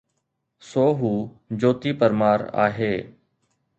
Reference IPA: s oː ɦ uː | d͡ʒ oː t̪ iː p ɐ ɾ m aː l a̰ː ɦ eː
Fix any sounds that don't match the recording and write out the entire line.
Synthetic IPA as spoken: s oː ɦ uː | d͡ʒ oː t̪ iː p ə ɾ m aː ɾ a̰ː ɦ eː